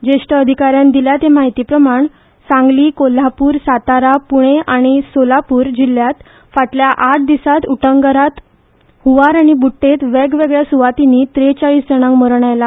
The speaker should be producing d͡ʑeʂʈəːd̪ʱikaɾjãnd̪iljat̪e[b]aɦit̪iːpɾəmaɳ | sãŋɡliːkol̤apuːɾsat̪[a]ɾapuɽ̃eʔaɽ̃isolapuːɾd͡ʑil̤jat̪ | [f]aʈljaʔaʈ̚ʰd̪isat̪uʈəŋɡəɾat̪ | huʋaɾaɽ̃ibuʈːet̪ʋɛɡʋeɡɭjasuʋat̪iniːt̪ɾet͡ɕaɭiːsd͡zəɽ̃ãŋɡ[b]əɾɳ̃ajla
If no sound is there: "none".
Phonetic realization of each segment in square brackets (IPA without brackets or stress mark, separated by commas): m, a, f, m